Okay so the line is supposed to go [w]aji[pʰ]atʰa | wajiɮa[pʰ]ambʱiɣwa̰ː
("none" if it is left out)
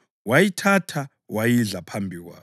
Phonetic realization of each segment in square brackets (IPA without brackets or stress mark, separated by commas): w, tʰ, pʰ